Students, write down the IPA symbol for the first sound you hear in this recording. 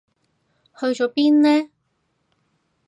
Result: h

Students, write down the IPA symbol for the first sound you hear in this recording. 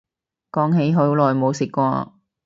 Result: k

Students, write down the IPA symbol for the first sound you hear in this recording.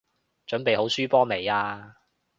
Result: t͡ʃ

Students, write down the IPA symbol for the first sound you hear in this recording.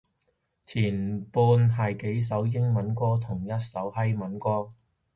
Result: t͡sʰ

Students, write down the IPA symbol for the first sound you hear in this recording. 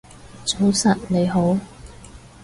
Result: t͡s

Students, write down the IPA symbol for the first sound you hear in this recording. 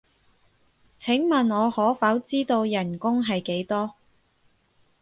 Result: t͡sʰ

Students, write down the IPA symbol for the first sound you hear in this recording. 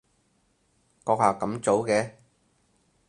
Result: k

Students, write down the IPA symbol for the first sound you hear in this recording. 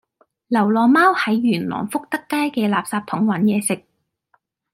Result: l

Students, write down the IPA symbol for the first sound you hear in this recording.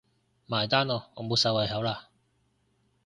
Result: m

